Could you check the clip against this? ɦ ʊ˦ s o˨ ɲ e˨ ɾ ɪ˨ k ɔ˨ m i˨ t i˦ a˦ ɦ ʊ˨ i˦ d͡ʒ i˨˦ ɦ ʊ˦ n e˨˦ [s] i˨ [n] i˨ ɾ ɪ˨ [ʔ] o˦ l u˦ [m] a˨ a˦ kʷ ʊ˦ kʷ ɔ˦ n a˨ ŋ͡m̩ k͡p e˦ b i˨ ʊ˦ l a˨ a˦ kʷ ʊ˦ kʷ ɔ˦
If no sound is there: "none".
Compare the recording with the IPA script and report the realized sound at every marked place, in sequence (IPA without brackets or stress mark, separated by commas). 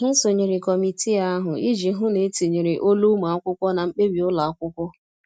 t, ɲ, ʔ, m